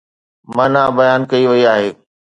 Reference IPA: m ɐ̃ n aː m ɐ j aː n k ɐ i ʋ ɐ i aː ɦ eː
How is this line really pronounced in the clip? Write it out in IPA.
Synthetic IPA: m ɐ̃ n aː b ɐ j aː n k ɐ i ʋ ɐ i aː ɦ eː